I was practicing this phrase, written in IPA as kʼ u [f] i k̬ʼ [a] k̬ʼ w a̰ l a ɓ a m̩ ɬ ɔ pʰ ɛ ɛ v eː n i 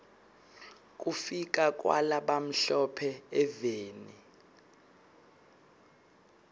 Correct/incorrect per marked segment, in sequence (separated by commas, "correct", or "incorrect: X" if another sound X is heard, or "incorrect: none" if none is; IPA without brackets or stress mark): correct, correct